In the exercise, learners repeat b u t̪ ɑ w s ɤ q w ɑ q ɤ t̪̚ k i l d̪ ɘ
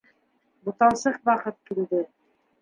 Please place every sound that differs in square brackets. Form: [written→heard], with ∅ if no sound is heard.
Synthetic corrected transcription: b u t̪ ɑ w s ɤ q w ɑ q ɤ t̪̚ k i l d̪ ɘ